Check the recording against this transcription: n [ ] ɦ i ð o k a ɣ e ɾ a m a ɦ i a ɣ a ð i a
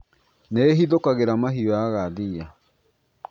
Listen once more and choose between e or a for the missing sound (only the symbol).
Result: e